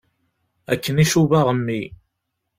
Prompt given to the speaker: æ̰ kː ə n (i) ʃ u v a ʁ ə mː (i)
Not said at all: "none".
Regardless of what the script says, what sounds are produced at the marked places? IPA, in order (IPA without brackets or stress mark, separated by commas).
i, i